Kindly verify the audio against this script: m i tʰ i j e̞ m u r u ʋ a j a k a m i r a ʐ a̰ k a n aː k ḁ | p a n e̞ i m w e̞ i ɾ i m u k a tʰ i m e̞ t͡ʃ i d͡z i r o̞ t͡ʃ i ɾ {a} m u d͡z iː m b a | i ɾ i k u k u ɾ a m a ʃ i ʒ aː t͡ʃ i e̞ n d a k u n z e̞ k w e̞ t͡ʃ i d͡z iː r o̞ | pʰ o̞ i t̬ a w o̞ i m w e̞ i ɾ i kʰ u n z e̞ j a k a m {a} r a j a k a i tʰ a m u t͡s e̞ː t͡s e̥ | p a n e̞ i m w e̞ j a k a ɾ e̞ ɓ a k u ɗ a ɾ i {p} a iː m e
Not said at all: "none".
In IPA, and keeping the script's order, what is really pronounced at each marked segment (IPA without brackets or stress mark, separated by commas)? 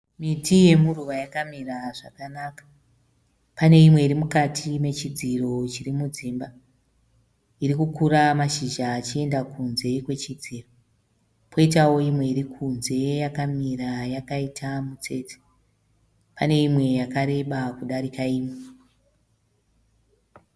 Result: i, i, k